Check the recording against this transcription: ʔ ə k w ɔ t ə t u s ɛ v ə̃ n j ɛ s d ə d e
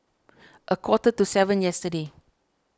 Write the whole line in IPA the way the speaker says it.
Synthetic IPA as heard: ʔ ə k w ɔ t ə t u s ɛ v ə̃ n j ɛ s t ə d e